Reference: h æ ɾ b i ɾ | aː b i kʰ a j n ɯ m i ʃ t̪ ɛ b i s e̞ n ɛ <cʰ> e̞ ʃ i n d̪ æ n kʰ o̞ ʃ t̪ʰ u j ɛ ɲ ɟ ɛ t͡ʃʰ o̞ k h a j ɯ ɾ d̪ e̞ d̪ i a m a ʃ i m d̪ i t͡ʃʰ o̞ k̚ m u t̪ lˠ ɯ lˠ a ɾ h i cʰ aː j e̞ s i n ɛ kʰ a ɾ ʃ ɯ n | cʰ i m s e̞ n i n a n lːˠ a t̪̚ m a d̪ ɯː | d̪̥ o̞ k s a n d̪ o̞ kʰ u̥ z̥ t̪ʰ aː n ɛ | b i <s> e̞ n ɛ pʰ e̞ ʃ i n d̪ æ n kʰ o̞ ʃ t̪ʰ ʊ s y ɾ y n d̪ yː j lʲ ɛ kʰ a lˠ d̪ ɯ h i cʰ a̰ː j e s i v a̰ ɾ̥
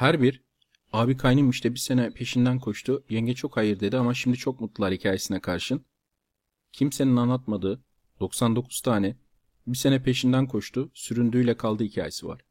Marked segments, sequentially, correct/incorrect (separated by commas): incorrect, correct